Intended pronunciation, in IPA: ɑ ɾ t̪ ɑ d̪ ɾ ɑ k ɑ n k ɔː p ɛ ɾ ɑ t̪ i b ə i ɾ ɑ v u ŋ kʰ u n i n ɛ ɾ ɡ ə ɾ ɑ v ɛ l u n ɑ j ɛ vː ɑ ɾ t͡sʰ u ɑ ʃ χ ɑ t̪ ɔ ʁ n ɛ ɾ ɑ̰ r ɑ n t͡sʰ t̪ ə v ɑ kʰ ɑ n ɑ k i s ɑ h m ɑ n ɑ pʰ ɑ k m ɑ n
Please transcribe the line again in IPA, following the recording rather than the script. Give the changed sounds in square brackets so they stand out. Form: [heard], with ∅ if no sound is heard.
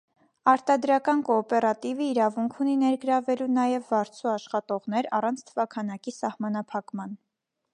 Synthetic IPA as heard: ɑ ɾ t̪ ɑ d̪ ɾ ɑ k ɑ n k ɔː p ɛ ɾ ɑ t̪ i [v] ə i ɾ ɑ v u ŋ kʰ u n i n ɛ ɾ ɡ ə ɾ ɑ v ɛ l u n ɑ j ɛ vː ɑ ɾ t͡sʰ u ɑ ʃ χ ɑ t̪ ɔ ʁ n ɛ ɾ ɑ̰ r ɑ n t͡sʰ [t̪ʰ] ə v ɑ kʰ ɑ n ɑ k i s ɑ h m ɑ n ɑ pʰ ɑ k m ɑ n